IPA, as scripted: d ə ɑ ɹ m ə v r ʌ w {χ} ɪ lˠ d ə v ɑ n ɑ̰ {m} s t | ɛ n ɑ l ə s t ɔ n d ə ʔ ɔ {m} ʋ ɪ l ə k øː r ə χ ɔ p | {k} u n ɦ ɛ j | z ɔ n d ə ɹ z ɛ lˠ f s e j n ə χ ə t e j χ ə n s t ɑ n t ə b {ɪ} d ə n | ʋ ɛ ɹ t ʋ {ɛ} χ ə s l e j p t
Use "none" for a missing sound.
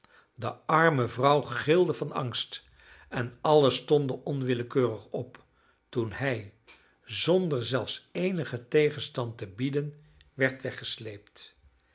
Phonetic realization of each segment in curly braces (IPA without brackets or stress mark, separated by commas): χ, ŋ, n, t, i, ɛ